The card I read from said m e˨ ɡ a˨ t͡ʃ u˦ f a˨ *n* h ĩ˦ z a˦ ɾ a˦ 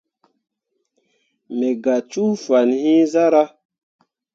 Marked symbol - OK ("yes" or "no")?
yes